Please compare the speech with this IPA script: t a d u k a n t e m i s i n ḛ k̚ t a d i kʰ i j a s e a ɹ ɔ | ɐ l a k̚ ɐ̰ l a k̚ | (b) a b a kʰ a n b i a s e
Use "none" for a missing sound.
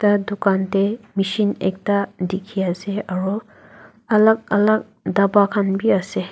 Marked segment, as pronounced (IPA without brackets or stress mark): d